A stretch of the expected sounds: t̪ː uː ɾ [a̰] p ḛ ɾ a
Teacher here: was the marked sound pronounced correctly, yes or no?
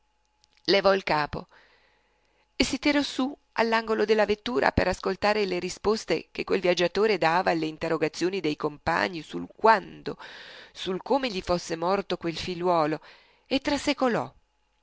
yes